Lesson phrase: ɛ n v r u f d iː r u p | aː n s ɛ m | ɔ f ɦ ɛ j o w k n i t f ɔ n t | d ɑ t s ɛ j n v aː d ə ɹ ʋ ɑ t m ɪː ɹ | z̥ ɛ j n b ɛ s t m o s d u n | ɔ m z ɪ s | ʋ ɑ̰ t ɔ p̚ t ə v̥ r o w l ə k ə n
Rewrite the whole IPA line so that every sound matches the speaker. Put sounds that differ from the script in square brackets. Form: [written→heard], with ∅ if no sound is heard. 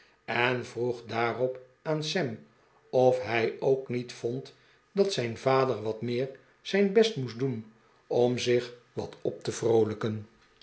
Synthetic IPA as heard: ɛ n v r u [f→χ] d [iː→aː] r [u→ɔ] p | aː n s ɛ m | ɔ f ɦ ɛ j o w k n i t f ɔ n t | d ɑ t s ɛ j n v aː d ə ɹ ʋ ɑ t m ɪː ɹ | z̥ ɛ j n b ɛ s t m [o→u] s d u n | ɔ m z ɪ [s→χ] | ʋ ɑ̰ t ɔ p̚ t ə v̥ r o w l ə k ə n